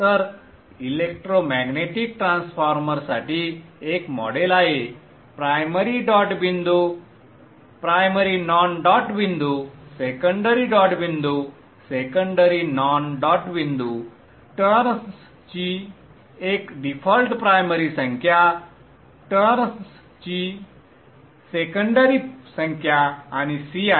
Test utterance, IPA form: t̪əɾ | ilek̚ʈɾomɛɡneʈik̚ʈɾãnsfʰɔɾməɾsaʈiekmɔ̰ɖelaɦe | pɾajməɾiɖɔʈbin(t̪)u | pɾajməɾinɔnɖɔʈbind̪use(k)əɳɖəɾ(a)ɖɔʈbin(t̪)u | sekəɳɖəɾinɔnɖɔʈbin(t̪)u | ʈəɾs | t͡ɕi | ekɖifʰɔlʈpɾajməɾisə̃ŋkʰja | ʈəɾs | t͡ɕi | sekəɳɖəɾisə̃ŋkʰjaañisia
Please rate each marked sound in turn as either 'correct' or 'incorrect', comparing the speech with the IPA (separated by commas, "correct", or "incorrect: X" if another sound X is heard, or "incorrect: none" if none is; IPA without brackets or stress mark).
incorrect: d̪, correct, incorrect: i, incorrect: d̪, incorrect: d̪